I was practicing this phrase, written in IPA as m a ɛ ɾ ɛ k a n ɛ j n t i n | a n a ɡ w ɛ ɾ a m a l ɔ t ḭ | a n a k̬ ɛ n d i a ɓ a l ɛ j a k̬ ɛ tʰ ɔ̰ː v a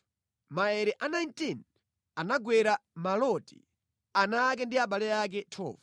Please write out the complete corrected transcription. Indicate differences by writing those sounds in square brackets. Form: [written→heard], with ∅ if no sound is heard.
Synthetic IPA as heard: m a ɛ ɾ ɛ [k→ʔ] a n [ɛ→a] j n t i n | a n a ɡ w ɛ ɾ a m a l ɔ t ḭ | a n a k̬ ɛ n d i a ɓ a l ɛ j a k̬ ɛ tʰ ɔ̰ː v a